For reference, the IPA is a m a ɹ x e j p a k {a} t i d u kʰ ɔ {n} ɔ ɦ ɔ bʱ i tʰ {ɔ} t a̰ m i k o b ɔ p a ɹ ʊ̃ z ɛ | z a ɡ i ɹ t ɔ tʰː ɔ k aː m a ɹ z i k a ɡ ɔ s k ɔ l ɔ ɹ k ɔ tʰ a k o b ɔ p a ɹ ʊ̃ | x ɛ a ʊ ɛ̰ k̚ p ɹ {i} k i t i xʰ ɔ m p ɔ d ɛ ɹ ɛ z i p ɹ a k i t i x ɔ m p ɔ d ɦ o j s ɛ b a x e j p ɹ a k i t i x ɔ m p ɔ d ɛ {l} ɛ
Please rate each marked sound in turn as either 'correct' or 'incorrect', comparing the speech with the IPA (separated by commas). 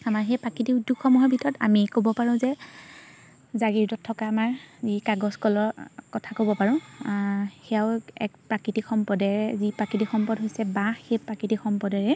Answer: incorrect, incorrect, correct, incorrect, incorrect